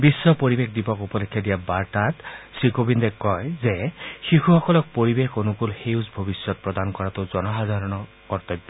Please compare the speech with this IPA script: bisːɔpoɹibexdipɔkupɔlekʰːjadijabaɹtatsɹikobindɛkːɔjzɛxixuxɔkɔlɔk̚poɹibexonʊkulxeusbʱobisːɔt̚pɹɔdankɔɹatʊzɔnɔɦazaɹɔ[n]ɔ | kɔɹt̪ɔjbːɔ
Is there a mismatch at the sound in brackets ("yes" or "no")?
no